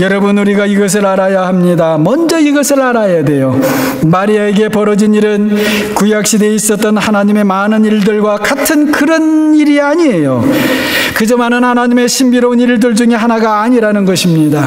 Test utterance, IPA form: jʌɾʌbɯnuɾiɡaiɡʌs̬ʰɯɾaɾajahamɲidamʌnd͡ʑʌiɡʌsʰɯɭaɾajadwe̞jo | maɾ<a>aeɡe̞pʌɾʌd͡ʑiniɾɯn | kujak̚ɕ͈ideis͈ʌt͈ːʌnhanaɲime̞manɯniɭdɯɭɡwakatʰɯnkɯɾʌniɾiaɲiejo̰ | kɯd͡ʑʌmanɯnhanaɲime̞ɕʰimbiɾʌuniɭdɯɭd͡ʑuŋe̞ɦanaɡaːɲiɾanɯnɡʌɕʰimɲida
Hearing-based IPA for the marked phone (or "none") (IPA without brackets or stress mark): i